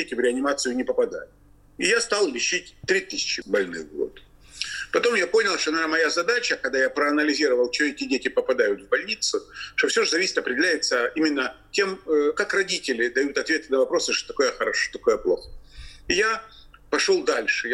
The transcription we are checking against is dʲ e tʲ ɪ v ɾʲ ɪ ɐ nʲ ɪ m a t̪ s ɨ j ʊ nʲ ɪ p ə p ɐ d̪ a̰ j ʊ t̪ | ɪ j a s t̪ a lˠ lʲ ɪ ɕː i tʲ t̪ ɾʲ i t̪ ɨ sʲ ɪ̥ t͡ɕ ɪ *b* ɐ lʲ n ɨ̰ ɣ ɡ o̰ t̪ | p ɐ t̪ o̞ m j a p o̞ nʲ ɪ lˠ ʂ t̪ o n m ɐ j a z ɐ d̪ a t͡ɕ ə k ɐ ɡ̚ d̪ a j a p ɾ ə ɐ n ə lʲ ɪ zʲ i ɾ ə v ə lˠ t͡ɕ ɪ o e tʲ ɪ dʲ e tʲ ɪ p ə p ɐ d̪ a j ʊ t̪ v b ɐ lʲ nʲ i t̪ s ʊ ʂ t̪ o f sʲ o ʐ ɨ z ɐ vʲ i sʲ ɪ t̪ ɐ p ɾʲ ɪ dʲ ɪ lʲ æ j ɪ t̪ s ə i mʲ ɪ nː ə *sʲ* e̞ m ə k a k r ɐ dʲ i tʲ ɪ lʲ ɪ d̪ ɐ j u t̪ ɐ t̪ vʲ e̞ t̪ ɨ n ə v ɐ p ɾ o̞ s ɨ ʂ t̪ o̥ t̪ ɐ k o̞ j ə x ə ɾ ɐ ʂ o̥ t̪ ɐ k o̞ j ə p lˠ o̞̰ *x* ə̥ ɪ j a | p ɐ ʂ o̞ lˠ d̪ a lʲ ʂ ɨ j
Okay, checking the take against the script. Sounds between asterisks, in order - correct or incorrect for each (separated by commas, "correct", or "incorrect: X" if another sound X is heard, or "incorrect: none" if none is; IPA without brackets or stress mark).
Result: correct, incorrect: tʲ, correct